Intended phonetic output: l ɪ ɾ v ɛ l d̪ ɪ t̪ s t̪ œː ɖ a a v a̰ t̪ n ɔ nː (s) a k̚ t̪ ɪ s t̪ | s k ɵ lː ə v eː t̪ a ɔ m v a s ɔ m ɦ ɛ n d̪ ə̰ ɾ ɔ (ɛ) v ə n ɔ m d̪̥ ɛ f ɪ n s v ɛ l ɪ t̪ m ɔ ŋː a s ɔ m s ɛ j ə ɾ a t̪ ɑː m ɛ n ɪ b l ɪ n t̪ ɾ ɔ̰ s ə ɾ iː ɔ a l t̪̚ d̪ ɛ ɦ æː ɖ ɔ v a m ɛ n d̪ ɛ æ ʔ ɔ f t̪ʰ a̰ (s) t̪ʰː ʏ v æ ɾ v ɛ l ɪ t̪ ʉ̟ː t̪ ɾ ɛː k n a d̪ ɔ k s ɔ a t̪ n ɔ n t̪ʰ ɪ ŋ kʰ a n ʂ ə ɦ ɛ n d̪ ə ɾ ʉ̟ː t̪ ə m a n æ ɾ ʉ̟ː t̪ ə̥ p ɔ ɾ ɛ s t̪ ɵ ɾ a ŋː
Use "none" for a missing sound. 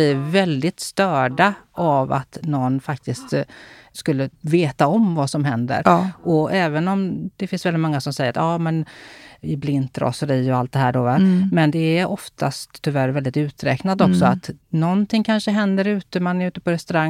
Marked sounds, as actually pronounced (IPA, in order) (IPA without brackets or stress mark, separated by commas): f, ɛː, s